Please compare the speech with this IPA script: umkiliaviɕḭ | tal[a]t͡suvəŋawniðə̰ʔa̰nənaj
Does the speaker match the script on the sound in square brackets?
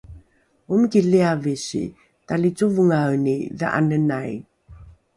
no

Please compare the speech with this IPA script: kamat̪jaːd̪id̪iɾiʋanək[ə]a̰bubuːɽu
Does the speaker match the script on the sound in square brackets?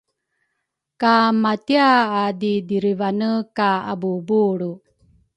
no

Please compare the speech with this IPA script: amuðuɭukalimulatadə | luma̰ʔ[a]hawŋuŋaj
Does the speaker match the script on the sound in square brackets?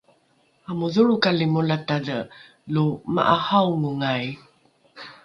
yes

